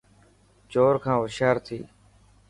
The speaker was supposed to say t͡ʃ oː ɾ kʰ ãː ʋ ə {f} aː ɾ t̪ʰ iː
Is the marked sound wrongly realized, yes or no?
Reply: yes